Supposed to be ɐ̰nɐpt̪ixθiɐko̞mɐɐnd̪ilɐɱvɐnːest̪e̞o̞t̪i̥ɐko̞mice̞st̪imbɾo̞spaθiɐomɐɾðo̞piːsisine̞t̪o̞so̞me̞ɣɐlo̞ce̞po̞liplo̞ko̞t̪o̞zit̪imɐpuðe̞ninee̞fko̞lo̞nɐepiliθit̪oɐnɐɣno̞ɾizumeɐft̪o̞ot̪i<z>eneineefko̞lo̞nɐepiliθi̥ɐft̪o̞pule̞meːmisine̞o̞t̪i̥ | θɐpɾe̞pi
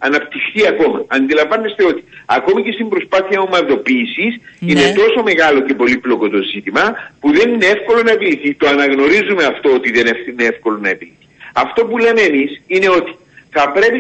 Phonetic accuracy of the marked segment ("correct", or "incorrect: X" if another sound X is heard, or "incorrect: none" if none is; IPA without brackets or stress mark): incorrect: ð